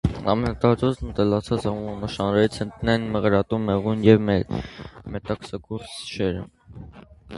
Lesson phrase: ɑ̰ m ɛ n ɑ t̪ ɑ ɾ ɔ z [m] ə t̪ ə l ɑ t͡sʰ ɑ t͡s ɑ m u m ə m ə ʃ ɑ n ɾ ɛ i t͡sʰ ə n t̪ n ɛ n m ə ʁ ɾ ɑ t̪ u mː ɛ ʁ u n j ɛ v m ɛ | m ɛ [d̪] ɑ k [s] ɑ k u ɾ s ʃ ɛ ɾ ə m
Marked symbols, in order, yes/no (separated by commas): no, no, yes